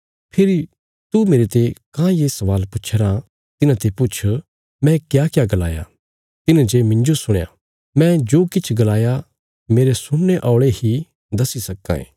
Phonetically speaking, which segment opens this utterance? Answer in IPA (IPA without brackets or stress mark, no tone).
pʰ